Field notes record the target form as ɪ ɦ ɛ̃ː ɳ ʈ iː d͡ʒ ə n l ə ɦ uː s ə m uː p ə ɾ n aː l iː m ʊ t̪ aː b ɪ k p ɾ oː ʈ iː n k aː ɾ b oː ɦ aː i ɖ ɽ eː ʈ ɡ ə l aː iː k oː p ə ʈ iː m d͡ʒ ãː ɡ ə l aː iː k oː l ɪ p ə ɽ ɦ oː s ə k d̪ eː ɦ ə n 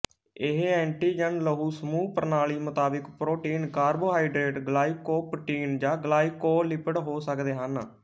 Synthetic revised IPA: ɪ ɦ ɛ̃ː ɳ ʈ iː d͡ʒ ə n l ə ɦ uː s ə m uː p ə ɾ n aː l iː m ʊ t̪ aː b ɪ k p ɾ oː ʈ iː n k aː ɾ b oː ɦ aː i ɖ ɾ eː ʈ ɡ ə l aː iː k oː p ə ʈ iː n d͡ʒ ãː ɡ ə l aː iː k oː l ɪ p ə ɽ ɦ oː s ə k d̪ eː ɦ ə n